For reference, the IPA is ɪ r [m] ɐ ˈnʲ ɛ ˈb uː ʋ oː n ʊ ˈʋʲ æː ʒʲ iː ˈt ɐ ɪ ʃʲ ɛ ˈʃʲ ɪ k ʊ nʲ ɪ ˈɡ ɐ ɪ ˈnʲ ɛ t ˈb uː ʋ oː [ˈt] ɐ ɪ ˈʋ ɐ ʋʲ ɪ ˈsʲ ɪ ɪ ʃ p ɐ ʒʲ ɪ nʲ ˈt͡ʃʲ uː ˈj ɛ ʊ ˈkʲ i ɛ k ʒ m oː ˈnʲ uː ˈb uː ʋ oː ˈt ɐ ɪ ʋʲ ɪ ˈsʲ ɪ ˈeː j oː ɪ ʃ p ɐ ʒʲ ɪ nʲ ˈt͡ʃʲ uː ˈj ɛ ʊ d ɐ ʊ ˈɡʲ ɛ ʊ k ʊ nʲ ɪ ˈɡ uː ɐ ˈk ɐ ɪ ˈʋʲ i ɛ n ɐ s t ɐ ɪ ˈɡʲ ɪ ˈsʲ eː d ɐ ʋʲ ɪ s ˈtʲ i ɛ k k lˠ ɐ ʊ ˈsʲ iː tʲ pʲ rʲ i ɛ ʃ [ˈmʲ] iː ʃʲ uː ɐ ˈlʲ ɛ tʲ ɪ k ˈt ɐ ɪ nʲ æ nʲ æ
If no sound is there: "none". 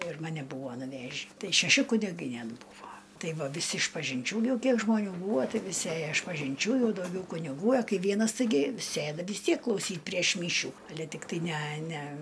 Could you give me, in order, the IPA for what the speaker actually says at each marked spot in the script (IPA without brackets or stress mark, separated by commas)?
m, t, mʲ